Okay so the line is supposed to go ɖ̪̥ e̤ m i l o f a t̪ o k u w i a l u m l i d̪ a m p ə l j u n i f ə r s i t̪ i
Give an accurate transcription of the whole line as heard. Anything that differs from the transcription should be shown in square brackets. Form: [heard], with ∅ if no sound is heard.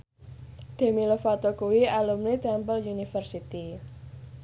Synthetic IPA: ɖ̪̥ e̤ m i l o f a t̪ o k u w i a l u m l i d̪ a m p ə l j u n i f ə r s i t̪ i